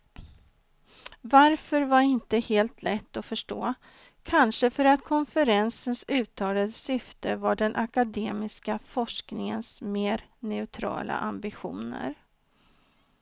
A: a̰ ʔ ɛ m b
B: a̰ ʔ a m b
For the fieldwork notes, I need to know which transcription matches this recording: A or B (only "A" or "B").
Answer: B